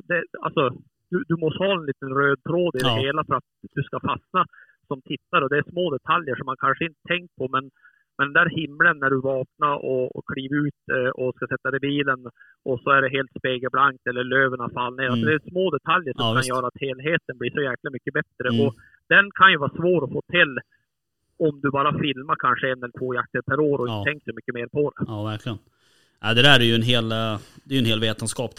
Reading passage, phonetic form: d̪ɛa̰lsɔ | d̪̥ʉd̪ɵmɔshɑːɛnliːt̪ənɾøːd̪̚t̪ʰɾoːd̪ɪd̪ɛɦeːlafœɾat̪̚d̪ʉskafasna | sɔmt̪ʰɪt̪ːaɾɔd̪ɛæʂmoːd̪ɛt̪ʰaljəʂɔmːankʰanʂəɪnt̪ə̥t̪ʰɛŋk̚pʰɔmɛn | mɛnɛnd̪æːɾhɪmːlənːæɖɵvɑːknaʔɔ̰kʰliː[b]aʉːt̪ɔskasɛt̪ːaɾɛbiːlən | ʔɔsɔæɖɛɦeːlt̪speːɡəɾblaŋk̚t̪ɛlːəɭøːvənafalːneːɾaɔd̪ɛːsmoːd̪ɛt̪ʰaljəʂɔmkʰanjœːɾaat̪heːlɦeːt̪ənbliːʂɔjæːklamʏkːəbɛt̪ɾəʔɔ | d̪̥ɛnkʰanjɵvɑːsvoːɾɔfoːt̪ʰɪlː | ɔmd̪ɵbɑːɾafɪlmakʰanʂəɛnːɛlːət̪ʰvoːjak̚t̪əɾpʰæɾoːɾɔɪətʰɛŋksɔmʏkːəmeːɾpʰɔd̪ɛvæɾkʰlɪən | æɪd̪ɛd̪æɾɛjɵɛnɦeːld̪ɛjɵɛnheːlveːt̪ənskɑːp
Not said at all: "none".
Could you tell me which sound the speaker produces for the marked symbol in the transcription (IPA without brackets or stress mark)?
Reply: v